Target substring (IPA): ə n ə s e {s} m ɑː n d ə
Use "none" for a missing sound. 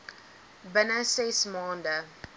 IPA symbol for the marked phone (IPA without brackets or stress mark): s